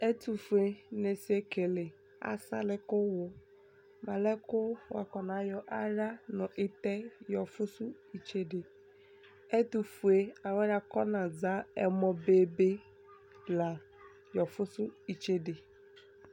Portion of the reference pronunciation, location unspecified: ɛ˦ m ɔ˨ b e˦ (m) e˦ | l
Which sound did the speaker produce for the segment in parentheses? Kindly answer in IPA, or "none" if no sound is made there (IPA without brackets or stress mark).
b